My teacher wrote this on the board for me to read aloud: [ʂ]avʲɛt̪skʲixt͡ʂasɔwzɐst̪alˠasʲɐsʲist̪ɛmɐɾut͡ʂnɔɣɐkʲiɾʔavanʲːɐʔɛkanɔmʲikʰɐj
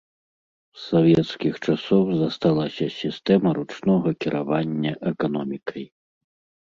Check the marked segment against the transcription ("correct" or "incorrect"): incorrect